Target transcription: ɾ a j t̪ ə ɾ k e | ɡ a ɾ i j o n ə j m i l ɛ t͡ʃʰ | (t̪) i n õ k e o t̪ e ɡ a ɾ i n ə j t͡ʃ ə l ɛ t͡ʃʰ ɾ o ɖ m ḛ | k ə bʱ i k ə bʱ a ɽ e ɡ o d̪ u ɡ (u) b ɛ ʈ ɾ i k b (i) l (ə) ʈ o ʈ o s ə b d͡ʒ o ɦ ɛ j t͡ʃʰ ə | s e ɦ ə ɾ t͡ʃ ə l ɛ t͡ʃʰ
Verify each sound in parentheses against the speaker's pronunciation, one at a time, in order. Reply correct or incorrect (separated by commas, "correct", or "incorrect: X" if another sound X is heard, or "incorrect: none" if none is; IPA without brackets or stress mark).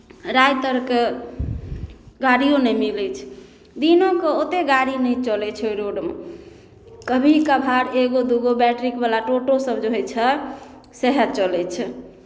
incorrect: d̪, incorrect: o, incorrect: a, incorrect: a